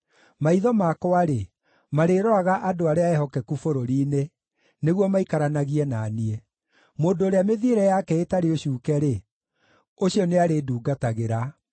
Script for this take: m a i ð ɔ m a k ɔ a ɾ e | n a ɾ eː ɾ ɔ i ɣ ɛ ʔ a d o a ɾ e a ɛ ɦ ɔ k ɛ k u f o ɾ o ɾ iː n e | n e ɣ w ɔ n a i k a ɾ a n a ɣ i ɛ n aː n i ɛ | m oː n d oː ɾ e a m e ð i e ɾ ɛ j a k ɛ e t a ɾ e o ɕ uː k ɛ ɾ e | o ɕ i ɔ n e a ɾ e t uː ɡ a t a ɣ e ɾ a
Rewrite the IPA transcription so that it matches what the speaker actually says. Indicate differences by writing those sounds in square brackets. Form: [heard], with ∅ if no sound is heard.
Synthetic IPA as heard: m a i ð ɔ m a k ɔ a ɾ e | [m] a ɾ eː ɾ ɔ [a] ɣ [a] ʔ a d o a ɾ e a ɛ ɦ ɔ k ɛ k u f o ɾ o ɾ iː n e | n e ɣ w ɔ [m] a i k a ɾ a n a ɣ i ɛ n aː n i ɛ | m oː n d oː ɾ e a m e ð i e ɾ ɛ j a k ɛ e t a ɾ e o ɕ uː k ɛ ɾ e | o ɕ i ɔ n e a ɾ e [d] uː ɡ a t a ɣ e ɾ a

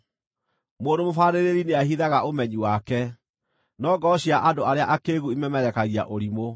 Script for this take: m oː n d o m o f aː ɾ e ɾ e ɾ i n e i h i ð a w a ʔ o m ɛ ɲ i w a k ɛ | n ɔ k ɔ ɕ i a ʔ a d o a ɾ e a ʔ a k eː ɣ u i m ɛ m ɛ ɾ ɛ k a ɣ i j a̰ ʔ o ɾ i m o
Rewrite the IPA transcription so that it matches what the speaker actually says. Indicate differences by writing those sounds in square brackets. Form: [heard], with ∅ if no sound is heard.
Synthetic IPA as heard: m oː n d o m o f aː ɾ e ɾ e ɾ i n e [a] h i ð a [ɣ] a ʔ o m ɛ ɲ i w a k ɛ | n ɔ [ɡ] ɔ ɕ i a ʔ a d o a ɾ e a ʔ a k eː ɣ u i m ɛ m ɛ ɾ ɛ k a ɣ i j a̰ ʔ o ɾ i m o

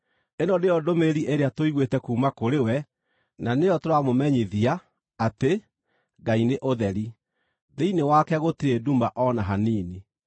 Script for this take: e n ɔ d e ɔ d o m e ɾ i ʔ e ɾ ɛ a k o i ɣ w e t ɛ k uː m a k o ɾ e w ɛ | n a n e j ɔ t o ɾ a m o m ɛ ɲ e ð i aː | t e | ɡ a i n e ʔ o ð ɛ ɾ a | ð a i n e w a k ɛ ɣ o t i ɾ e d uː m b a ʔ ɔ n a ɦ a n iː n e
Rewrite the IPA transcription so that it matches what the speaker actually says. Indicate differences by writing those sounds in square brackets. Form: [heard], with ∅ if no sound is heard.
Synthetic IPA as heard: e n ɔ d e ɔ d o m e ɾ i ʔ e ɾ [e] a [t] o i ɣ w e t ɛ k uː m a k o ɾ e w ɛ | n a n e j ɔ t o ɾ a m o m ɛ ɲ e ð i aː | t e | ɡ a i n e ʔ o ð ɛ ɾ [i] | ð [e] i n e w a k ɛ ɣ o t i ɾ e d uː m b a ʔ ɔ n a ɦ a n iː n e

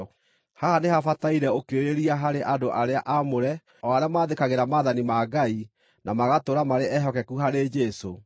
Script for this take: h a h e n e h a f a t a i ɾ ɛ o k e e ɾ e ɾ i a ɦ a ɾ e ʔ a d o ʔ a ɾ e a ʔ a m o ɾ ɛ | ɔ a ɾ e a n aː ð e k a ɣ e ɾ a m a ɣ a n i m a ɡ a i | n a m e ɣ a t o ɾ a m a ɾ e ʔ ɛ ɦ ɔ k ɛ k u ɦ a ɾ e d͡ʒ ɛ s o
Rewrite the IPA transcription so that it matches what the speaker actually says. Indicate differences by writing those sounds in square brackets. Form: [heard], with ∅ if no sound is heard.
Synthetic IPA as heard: h a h [a] n e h a f a t a i ɾ ɛ o k e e ɾ e ɾ i a ɦ a ɾ e ʔ a d o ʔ a ɾ e a ʔ a m o ɾ ɛ | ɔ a ɾ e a [m] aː ð e k a ɣ e ɾ a m a [ð] a n i m a ɡ a i | n a m [a] ɣ a t o ɾ a m a ɾ e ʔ ɛ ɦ ɔ k ɛ k u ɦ a ɾ e d͡ʒ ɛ s o

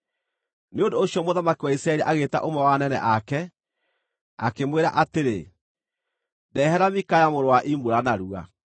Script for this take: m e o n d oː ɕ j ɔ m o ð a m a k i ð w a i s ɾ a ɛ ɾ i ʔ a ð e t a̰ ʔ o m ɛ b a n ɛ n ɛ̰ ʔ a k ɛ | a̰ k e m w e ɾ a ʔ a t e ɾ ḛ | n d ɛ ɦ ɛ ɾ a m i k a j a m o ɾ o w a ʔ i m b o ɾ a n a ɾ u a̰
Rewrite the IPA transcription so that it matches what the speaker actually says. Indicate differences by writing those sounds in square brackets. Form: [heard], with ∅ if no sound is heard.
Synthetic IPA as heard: [n] e o n d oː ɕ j ɔ m o ð a m a k i [∅] w a i s ɾ a ɛ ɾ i ʔ a [ɣ] e t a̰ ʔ o m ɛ [w] a n ɛ n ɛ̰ ʔ a k ɛ | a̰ k e m w e ɾ a ʔ a t e ɾ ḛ | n d ɛ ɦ ɛ ɾ a m i k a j a m o ɾ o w a ʔ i m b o ɾ a n a ɾ u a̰

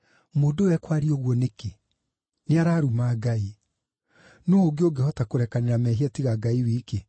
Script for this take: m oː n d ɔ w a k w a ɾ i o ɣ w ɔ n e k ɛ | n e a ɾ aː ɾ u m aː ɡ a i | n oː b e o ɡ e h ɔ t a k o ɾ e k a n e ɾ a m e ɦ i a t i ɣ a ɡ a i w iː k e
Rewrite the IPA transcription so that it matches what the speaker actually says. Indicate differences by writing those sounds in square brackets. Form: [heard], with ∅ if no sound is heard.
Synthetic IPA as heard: m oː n d [o] w [ɛ] k w a ɾ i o ɣ w ɔ n e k [e] | n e a ɾ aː ɾ u m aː ɡ a i | n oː [ɡ] e o ɡ e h ɔ t a k o ɾ [ɛ] k a n e ɾ a m [ɛ] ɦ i a t i ɣ a ɡ a i w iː k e

